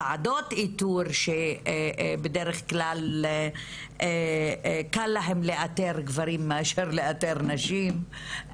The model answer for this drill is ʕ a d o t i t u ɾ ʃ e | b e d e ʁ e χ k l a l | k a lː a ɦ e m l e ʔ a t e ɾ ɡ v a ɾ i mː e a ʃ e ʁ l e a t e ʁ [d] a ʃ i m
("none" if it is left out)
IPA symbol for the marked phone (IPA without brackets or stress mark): n